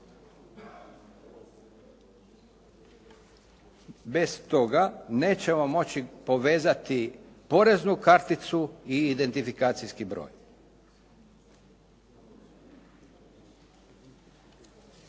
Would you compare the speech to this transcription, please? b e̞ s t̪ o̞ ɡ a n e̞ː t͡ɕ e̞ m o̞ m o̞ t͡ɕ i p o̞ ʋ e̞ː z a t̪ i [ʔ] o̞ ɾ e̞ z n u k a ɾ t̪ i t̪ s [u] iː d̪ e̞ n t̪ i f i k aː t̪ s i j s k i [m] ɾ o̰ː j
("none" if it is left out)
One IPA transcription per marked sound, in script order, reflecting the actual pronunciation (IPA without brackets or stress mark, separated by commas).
p, u, b